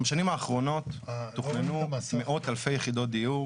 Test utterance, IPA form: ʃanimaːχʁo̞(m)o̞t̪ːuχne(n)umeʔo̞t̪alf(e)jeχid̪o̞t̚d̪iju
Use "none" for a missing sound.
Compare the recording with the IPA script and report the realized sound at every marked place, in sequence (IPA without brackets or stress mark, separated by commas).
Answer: n, n, e